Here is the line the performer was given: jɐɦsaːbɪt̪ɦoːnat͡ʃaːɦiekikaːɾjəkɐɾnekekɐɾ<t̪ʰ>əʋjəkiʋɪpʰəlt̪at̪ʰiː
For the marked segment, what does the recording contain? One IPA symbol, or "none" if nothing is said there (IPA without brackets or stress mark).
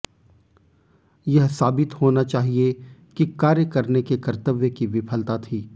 t̪